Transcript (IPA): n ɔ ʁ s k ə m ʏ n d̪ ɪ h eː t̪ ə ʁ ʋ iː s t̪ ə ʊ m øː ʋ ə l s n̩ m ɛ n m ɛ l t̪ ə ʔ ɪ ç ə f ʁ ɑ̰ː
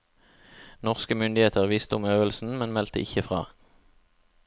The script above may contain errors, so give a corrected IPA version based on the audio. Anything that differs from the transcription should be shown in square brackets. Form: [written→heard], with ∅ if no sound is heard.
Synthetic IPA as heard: n ɔ ʁ s k ə m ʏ n d̪ ɪ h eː t̪ ə ʁ ʋ iː s t̪ ə ʊ m øː ʋ ə l s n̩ m ɛ n m ɛ l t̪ ə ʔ ɪ ç ə f ʁ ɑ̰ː